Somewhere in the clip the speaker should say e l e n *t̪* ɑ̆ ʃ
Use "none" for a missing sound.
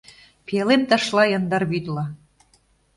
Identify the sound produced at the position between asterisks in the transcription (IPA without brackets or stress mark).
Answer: t̪